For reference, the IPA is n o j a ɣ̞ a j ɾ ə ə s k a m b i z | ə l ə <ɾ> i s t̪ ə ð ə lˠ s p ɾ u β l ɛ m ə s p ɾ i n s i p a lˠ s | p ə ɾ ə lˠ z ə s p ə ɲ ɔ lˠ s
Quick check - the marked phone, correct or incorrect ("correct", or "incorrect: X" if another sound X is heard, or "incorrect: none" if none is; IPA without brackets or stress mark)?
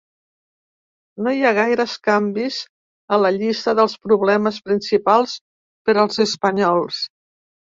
incorrect: ʎ